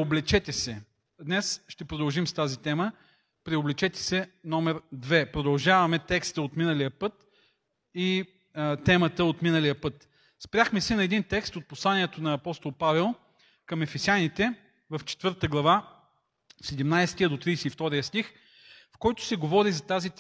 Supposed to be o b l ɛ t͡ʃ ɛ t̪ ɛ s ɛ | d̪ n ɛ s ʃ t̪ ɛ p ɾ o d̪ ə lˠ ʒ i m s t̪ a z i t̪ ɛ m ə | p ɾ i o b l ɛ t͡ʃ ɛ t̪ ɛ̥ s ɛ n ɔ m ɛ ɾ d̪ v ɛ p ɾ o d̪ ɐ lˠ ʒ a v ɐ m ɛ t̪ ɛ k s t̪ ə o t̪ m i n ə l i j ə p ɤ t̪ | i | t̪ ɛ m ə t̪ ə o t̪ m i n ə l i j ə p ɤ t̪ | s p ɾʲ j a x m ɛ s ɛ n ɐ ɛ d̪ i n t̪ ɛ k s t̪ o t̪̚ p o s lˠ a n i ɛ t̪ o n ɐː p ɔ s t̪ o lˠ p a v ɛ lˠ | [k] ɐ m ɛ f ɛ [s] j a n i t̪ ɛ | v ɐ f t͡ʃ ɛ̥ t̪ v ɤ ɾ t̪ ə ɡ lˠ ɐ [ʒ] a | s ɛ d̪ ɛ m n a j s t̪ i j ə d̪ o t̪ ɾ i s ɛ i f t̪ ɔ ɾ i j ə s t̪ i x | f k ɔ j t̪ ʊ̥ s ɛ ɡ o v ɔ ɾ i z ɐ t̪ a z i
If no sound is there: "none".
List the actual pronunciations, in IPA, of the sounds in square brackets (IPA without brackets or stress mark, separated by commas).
k, s, v